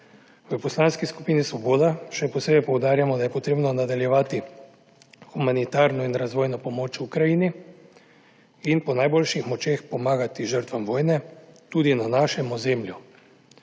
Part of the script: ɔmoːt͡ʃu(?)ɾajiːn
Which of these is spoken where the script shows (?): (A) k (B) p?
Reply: A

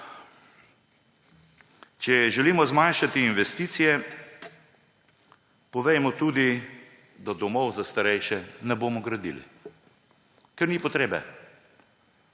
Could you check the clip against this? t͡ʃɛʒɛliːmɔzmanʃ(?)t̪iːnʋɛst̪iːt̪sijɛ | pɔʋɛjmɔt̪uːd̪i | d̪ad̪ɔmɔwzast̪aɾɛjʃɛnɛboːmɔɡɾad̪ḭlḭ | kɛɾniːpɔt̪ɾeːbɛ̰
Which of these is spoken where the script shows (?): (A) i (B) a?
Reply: B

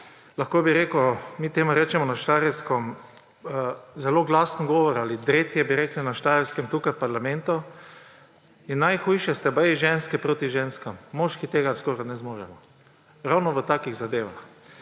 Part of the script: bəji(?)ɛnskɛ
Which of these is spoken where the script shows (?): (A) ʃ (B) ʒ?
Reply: B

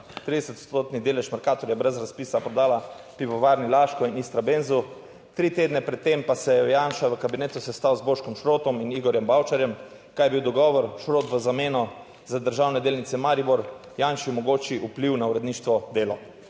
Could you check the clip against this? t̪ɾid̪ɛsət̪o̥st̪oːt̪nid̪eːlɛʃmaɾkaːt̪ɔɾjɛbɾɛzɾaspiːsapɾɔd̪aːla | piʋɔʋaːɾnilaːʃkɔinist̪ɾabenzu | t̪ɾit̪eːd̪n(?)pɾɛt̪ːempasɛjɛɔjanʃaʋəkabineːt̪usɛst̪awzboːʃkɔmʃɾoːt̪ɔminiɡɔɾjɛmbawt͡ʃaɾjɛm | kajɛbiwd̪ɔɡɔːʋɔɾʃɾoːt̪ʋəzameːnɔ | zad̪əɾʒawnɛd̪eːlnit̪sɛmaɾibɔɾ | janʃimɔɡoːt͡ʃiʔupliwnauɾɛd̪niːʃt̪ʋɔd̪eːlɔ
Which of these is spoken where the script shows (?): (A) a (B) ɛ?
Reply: B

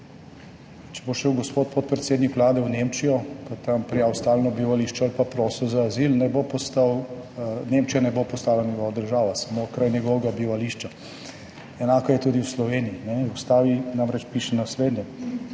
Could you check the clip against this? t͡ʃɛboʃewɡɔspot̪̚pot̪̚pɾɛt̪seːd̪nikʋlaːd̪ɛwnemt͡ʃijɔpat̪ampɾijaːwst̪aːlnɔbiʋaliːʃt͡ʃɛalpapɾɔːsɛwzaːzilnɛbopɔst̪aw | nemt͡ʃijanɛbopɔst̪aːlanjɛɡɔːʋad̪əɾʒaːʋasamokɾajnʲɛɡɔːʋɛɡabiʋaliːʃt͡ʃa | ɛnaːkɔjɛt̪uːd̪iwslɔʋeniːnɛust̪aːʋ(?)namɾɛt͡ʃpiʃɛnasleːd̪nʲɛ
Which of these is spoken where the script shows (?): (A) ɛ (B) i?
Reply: B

